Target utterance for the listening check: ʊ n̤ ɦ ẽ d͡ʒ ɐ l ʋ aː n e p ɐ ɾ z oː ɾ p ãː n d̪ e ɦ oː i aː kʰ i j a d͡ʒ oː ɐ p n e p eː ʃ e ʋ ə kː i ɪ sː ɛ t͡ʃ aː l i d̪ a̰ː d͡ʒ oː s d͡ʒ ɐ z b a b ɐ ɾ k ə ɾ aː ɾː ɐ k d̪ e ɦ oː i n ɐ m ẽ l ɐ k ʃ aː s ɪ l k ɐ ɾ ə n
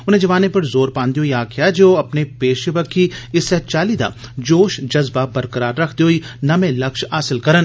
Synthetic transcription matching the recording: ʊ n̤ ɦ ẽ d͡ʒ ɐ ʋ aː n e p ɐ ɾ z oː ɾ p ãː n d̪ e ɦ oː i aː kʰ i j a d͡ʒ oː ɐ p n e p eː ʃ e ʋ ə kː i ɪ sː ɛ t͡ʃ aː l i d̪ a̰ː d͡ʒ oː ʃ d͡ʒ ɐ z b a b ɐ ɾ k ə ɾ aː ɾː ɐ kʰ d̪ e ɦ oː i n ɐ m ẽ l ɐ k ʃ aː s ɪ l k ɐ ɾ ə n